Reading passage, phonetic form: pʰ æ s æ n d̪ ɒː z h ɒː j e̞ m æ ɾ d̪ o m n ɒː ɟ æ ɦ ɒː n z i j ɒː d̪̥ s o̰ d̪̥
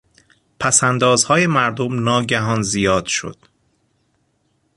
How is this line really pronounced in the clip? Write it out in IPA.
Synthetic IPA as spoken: pʰ æ s æ n d̪ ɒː z h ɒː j e̞ m æ ɾ d̪ o m n ɒː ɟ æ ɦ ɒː n z i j ɒː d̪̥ ʃ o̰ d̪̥